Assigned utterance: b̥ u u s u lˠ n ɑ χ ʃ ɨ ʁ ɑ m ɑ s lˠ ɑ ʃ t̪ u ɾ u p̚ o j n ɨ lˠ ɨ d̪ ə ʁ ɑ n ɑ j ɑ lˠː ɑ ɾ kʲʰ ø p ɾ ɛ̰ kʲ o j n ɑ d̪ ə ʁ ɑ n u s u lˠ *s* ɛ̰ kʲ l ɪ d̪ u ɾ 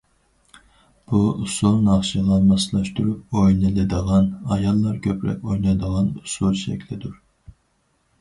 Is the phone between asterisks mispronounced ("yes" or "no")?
yes